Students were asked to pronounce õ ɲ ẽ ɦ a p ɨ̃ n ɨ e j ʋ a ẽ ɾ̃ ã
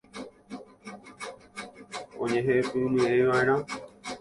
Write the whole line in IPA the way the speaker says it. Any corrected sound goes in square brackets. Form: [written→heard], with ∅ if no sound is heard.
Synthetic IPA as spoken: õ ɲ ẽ ɦ [a→e] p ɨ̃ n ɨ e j ʋ a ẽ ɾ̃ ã